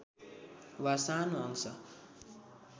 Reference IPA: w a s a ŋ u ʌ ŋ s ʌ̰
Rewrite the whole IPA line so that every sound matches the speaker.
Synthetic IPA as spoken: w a s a n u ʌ ŋ s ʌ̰